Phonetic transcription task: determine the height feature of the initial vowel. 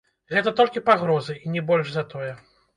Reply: mid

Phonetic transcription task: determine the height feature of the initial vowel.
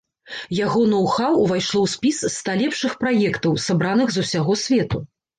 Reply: low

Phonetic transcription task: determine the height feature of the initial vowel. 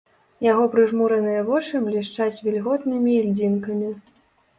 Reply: low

